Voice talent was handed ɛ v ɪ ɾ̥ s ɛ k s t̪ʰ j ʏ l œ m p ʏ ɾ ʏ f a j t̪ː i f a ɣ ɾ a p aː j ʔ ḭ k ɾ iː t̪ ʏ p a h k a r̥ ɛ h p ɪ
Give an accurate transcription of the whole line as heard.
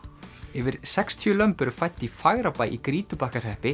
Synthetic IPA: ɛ v ɪ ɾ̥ s ɛ k s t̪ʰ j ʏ l œ m p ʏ ɾ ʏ f a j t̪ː i f a ɣ ɾ a p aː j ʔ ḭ k ɾ iː t̪ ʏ p a h k a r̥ ɛ h p ɪ